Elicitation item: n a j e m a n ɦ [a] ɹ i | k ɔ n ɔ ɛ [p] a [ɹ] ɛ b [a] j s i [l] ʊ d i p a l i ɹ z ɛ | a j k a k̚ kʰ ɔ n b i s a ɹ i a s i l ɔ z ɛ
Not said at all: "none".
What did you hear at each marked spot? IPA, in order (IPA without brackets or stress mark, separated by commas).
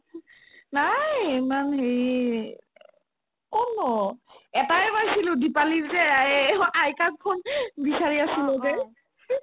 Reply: e, t, none, a, l